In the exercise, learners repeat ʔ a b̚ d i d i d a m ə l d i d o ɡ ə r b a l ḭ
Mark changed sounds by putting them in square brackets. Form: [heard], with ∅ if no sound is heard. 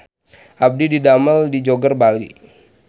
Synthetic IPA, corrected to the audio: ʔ a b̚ d i d i d a m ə l d i [d͡ʒ] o ɡ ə r b a l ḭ

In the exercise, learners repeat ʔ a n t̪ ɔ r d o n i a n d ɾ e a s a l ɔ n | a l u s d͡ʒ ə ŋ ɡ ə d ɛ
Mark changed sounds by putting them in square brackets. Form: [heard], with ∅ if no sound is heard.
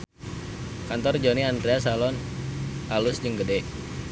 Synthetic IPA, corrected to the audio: [k] a n t̪ ɔ r [d͡ʒ] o n i a n d ɾ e a s a l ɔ n | a l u s d͡ʒ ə ŋ ɡ ə d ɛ

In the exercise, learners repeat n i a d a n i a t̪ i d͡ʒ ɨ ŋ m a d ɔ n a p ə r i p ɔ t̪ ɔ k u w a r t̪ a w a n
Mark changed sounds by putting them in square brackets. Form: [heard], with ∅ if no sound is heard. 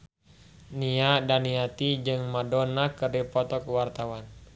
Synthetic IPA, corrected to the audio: n i a d a n i a t̪ i d͡ʒ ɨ ŋ m a d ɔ n a [k] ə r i p ɔ t̪ ɔ k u w a r t̪ a w a n

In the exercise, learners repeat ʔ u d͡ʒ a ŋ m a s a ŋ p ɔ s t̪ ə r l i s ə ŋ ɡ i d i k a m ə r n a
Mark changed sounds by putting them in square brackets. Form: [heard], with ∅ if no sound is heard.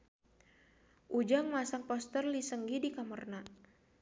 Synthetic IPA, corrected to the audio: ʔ u d͡ʒ a ŋ m a s a ŋ p ɔ s t̪ ə r l i s ə ŋ ɡ i d i k a m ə r n a

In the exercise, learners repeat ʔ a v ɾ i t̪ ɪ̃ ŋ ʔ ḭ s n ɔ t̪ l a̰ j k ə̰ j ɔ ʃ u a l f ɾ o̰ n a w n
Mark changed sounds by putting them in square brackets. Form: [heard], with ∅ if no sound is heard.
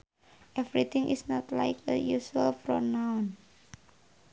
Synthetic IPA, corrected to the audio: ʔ [ɛ] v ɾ i t̪ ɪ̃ ŋ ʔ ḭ s n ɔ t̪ l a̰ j k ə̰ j [u] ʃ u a l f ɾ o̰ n a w n

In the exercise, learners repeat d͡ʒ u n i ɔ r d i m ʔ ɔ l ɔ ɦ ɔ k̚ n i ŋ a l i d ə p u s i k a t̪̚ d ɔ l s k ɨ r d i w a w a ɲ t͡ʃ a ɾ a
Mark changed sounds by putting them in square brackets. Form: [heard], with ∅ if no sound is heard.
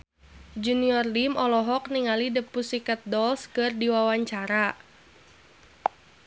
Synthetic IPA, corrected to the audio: d͡ʒ u n i ɔ r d i m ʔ ɔ l ɔ ɦ ɔ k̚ n i ŋ a l i d ə p u s i k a t̪̚ d ɔ l s k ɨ r d i w a w a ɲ t͡ʃ a ɾ a

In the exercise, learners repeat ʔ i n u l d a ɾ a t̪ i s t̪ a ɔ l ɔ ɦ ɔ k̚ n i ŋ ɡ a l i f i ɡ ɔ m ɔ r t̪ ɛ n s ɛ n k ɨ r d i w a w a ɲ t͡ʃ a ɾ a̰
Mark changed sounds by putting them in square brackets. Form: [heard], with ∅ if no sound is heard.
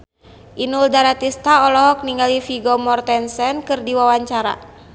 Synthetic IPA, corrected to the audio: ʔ i n u l d a ɾ a t̪ i s t̪ a ɔ l ɔ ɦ ɔ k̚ n i ŋ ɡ a l i f i ɡ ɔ m ɔ r t̪ ɛ n s ɛ n k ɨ r d i w a w a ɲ t͡ʃ a ɾ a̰

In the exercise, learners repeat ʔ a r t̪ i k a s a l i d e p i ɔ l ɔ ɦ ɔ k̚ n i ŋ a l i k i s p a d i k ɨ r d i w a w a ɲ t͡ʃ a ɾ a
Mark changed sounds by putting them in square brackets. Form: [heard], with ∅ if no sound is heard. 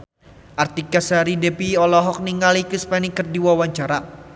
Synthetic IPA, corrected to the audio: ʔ a r t̪ i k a s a [ɾ] i d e p i ɔ l ɔ ɦ ɔ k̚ n i ŋ a l i k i s p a [n] i k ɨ r d i w a w a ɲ t͡ʃ a ɾ a

